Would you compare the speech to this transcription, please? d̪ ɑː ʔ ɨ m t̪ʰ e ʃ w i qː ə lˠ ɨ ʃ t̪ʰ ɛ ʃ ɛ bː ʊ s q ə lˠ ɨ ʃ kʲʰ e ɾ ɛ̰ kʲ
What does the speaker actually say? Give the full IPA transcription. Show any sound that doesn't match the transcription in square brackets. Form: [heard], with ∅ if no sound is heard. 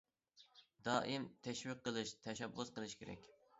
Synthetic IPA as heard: d̪ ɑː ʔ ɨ m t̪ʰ [ɛ] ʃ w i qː ə lˠ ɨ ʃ t̪ʰ ɛ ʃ ɛ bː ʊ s q ə lˠ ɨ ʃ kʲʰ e ɾ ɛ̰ kʲ